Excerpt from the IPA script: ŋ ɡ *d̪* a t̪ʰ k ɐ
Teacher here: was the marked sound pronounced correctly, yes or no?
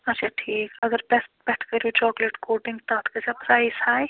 no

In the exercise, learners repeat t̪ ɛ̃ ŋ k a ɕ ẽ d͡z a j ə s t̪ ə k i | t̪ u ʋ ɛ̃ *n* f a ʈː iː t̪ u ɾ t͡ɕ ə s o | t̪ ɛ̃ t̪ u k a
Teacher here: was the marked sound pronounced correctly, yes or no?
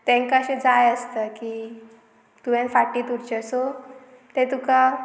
yes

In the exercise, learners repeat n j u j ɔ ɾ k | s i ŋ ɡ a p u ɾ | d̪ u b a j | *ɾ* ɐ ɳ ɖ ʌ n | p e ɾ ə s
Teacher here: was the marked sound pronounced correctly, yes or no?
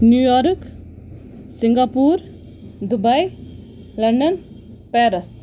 no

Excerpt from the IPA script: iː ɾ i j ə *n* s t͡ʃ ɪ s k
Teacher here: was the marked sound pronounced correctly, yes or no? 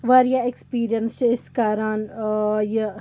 yes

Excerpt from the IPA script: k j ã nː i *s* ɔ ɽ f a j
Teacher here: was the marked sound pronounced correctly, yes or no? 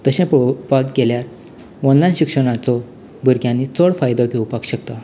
no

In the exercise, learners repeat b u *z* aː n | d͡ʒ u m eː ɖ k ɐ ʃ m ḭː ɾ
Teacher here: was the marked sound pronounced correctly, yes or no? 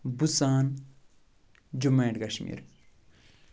no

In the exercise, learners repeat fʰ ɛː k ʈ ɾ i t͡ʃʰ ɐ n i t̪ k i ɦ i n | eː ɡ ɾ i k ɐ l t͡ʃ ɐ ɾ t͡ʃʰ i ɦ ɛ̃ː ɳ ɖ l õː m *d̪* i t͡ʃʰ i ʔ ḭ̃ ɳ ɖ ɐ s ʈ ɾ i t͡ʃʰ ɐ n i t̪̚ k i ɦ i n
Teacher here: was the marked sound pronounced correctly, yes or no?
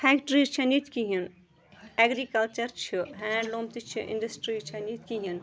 no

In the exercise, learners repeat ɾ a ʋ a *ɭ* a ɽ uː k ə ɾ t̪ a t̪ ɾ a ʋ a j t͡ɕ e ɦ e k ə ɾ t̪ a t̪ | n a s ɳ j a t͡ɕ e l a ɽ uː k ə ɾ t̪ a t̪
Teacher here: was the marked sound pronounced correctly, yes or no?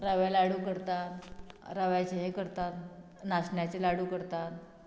no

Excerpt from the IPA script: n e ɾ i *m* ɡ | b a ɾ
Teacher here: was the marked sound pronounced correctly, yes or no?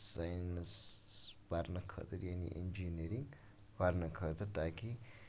no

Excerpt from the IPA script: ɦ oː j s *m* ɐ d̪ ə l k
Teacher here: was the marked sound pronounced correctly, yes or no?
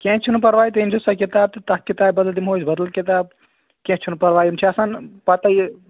no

